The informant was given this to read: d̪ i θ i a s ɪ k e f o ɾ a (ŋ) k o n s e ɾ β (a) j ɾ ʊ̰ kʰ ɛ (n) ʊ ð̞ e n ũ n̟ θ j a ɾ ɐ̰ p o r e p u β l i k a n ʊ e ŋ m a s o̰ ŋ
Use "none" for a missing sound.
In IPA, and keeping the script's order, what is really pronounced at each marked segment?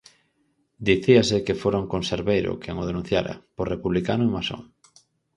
ŋ, e, ŋ

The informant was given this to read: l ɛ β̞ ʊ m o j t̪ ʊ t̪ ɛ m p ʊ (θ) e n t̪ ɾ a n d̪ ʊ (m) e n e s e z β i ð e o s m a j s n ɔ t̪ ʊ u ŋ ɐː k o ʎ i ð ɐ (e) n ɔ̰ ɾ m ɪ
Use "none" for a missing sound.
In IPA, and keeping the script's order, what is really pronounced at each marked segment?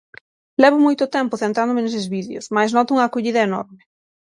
θ, m, e

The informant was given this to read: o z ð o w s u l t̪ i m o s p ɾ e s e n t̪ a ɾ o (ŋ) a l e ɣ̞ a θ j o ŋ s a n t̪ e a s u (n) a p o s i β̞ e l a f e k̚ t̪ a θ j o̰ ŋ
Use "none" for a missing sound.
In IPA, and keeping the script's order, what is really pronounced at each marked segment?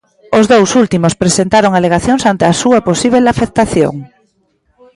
ŋ, none

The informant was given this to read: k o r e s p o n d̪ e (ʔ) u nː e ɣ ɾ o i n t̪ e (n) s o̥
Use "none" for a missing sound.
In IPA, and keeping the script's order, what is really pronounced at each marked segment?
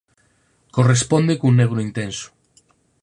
k, n

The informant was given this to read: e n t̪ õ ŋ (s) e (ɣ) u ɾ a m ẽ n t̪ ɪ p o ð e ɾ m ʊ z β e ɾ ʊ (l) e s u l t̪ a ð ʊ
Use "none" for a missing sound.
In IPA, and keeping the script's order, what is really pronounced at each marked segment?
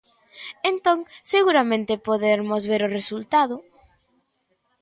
s, ɣ, r

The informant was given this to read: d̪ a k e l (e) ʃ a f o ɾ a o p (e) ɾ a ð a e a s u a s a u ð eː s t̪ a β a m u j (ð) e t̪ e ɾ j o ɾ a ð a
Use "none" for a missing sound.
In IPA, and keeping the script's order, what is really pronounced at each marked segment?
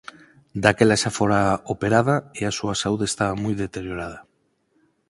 a, e, ð

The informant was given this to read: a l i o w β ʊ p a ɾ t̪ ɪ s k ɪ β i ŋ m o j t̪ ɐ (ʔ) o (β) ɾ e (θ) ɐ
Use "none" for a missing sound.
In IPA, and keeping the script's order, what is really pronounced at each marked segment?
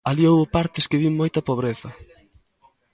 p, β, θ

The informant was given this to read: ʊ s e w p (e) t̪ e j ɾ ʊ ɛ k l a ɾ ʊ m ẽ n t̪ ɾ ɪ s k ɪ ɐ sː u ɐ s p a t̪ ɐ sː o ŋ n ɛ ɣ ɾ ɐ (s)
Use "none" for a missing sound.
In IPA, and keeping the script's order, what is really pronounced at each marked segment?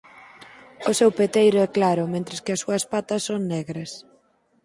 e, s

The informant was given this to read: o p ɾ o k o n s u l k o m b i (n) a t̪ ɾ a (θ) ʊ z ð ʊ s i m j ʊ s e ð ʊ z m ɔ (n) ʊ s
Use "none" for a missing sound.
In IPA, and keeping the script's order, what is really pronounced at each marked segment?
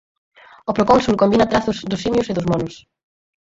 n, θ, n

